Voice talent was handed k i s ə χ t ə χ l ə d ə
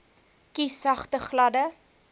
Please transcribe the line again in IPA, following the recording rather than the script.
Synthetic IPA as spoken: k i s ɐ χ t ə χ l ɐ d ə

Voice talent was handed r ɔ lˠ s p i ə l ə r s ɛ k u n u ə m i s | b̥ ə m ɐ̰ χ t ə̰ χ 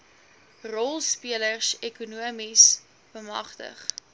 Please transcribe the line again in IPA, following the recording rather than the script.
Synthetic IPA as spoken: r ɔ lˠ s p i ə l ə r s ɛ k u n u ə m i s | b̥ ə m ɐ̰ χ t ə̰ χ

